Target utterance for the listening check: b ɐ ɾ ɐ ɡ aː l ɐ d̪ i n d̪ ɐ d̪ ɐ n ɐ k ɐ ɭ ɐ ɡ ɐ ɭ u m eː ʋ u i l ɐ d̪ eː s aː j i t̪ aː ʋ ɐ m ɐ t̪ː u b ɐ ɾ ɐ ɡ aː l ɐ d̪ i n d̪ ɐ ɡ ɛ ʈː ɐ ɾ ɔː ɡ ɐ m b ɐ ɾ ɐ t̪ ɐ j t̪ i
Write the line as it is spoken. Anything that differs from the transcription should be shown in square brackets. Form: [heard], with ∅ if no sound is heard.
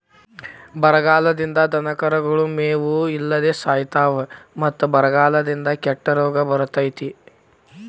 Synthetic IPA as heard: b ɐ ɾ ɐ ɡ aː l ɐ d̪ i n d̪ ɐ d̪ ɐ n ɐ k ɐ [ɾ] ɐ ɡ ɐ ɭ u m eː ʋ u i [lː] ɐ d̪ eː s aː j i t̪ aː ʋ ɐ m ɐ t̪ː u b ɐ ɾ ɐ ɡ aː l ɐ d̪ i n d̪ ɐ [k] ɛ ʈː ɐ ɾ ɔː ɡ ɐ [∅] b ɐ ɾ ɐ t̪ ɐ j t̪ i